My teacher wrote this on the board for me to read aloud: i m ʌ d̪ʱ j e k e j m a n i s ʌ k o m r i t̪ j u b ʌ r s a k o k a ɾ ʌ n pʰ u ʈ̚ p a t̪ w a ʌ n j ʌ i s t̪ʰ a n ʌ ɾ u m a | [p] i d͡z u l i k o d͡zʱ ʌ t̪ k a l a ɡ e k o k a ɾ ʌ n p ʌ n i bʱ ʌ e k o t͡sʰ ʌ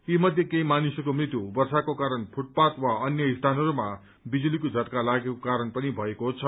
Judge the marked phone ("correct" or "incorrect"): incorrect